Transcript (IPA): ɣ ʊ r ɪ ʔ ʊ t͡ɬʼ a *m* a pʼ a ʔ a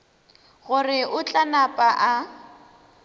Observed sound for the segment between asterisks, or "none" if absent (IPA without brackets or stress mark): n